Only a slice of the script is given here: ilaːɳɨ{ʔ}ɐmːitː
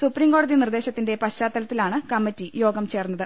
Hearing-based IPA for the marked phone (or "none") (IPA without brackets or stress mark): k